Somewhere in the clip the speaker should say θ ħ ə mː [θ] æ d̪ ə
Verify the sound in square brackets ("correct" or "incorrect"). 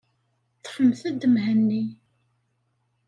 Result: correct